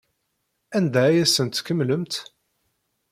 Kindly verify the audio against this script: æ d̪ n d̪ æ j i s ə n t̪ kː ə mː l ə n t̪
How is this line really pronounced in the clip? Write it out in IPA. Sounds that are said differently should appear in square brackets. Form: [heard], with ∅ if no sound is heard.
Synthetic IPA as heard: æ [∅] n d̪ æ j [æ] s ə n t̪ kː ə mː l ə [m] t̪

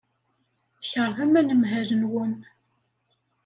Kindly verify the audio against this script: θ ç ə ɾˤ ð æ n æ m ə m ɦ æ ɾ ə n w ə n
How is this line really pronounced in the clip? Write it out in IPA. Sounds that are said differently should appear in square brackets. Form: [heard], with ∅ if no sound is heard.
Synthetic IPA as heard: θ ç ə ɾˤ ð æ [m] æ [n] ə m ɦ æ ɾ ə n w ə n

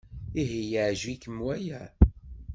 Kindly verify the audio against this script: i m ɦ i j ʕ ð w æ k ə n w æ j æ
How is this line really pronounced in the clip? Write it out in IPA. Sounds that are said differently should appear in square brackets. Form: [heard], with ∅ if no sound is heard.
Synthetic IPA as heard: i [∅] ɦ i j ʕ [ʒ] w [i] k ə [m] w æ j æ

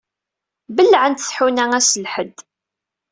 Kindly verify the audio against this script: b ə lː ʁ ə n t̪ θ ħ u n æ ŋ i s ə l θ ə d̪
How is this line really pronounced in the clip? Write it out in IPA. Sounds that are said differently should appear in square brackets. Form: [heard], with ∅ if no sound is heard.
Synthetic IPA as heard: b ə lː [ʕ] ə n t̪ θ ħ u n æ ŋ [æ] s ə l [ħ] ə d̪

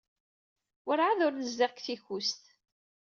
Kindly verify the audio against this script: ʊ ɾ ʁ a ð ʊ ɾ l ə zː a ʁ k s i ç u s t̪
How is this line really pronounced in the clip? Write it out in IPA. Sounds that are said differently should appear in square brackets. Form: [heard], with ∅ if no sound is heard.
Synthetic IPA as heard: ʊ ɾ [ʕ] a ð ʊ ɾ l ə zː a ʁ k [θ] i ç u s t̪

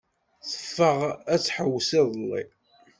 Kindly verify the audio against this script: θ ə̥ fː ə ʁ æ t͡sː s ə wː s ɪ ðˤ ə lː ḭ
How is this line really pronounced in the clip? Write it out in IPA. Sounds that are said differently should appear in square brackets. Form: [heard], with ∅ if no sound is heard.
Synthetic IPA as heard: θ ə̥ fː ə ʁ æ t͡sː [ħ] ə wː s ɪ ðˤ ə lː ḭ

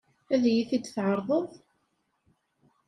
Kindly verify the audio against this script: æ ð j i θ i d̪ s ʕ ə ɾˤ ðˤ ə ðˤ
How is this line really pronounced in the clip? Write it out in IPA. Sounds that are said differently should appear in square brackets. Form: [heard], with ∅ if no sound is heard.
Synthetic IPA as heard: æ ð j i θ i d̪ [θ] ʕ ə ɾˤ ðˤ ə ðˤ

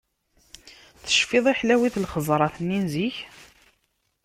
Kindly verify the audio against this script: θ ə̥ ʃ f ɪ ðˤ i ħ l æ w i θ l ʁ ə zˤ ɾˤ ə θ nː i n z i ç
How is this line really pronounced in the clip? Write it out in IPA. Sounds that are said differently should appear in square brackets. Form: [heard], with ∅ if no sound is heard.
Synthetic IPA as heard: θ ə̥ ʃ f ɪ ðˤ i ħ l æ w i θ l [χ] ə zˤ ɾˤ [ɑ] θ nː i n z i ç

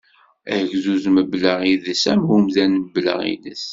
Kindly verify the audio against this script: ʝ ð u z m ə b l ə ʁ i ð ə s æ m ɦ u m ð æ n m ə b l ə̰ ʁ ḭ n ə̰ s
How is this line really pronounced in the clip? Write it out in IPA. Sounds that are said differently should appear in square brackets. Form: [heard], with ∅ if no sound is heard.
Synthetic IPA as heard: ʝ [z] u z m ə b l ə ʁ i ð ə s æ m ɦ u m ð æ n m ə b l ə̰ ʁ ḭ n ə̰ s

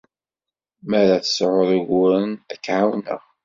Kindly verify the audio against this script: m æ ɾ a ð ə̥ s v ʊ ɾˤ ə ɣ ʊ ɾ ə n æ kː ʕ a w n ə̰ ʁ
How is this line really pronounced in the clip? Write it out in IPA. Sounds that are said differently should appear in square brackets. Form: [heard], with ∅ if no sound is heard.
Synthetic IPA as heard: m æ ɾ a [θ] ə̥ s [ʕ] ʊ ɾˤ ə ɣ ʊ ɾ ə n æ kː ʕ a w n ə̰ ʁ

